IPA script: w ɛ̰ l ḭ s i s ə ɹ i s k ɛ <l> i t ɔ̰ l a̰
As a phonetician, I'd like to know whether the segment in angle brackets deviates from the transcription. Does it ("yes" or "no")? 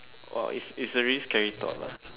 yes